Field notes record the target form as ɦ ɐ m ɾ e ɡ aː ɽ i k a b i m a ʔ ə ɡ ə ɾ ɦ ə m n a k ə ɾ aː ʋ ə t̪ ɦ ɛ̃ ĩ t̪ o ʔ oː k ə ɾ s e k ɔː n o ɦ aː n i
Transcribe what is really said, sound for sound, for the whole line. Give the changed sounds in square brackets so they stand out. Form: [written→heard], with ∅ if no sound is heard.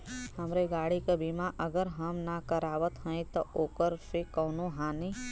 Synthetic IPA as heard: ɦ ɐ m ɾ e ɡ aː ɽ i k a b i m a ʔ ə ɡ ə ɾ ɦ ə m n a k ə ɾ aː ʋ ə t̪ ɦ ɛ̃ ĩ t̪ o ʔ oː k ə ɾ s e k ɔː n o ɦ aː n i

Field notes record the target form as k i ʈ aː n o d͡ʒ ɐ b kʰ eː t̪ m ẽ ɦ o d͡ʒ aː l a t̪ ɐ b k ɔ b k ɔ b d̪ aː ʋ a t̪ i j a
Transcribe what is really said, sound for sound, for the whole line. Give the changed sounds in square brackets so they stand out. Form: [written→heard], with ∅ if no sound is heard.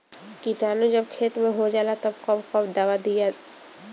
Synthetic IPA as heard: k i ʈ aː n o d͡ʒ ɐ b kʰ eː t̪ m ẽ ɦ o d͡ʒ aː l a t̪ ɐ b k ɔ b k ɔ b d̪ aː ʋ a [t̪→d̪] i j a

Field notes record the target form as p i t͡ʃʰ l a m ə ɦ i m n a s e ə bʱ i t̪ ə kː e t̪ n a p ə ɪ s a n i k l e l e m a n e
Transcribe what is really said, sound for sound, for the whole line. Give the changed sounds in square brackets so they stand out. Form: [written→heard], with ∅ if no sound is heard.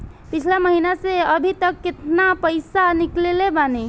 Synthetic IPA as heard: p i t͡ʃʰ l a m ə ɦ i [m→∅] n a s e ə bʱ i t̪ ə kː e t̪ n a p ə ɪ s a n i k l e l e [m→b] a n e

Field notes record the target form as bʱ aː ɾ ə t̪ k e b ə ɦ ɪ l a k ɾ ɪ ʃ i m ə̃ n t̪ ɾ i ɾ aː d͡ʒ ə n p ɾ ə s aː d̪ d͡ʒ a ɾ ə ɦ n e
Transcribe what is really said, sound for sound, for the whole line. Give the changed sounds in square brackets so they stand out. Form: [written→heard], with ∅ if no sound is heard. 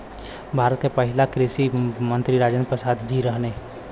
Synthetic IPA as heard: bʱ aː ɾ ə t̪ k e [b→p] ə ɦ ɪ l a k ɾ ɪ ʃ i m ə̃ n t̪ ɾ i ɾ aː d͡ʒ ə n p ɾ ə s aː d̪ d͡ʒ [a→i] ɾ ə ɦ n e

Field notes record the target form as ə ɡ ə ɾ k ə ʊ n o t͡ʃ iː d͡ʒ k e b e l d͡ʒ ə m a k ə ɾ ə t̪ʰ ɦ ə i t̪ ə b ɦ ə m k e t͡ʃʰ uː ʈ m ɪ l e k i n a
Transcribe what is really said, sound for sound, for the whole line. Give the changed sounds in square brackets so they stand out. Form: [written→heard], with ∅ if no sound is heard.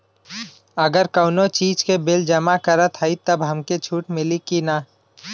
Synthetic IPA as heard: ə ɡ ə ɾ k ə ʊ n o t͡ʃ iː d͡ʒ k e b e l d͡ʒ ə m a k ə ɾ ə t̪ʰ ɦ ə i t̪ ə b ɦ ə m k e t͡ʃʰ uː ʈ m ɪ l [e→i] k i n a

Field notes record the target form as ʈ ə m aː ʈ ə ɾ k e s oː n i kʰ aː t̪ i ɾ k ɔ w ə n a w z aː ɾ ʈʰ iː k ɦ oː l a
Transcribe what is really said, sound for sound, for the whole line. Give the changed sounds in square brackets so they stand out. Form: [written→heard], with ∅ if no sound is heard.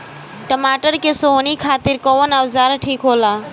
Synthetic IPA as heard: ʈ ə m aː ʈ ə ɾ k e s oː n i kʰ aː t̪ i ɾ k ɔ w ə n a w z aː ɾ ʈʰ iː k ɦ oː l a

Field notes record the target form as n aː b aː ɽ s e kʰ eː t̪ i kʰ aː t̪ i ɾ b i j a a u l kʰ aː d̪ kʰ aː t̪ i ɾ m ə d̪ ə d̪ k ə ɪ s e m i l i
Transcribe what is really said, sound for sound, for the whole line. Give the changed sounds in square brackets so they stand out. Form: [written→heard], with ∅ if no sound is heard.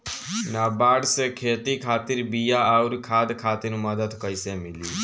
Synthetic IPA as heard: n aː b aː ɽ s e kʰ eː t̪ i kʰ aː t̪ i ɾ b i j a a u [l→ɾ] kʰ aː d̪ kʰ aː t̪ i ɾ m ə d̪ ə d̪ k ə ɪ s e m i l i

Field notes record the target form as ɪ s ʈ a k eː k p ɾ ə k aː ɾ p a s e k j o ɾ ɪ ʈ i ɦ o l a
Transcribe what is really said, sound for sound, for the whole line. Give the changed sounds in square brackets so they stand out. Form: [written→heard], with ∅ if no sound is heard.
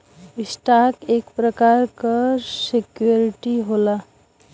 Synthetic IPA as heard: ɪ s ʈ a k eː k p ɾ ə k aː ɾ [p→k] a s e k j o ɾ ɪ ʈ i ɦ o l a

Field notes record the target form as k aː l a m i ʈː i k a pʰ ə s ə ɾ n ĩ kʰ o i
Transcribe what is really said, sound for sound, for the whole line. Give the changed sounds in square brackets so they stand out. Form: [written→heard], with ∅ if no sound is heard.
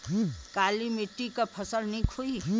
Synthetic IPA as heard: k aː l [a→i] m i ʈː i k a pʰ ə s ə [ɾ→l] n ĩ kʰ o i

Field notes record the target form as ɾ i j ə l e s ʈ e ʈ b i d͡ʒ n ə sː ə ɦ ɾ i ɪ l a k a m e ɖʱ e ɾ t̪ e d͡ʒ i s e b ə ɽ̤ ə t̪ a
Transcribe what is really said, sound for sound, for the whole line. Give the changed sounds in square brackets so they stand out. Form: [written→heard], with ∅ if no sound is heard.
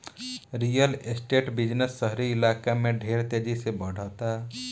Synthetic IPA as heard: ɾ i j ə l e s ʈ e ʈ b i d͡ʒ n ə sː ə ɦ ɾ i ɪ l a k a m e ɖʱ e ɾ t̪ e d͡ʒ i s e b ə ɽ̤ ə t̪ a

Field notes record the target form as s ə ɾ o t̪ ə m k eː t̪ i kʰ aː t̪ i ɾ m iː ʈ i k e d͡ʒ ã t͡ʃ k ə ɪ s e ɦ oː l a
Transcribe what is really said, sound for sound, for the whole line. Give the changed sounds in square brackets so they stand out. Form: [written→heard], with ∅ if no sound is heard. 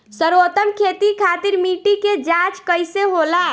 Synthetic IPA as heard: s ə ɾ o t̪ ə m [k→kʰ] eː t̪ i kʰ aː t̪ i ɾ m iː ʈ i k e d͡ʒ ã t͡ʃ k ə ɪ s e ɦ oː l a

